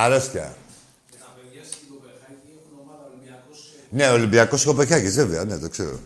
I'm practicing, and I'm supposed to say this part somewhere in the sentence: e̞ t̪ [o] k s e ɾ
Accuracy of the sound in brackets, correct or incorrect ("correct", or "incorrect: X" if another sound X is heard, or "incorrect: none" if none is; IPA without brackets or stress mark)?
correct